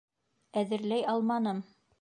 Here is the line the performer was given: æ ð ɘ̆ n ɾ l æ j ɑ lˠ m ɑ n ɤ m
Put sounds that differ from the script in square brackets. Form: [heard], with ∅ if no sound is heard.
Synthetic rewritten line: æ ð ɘ̆ [∅] ɾ l æ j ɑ lˠ m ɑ n ɤ m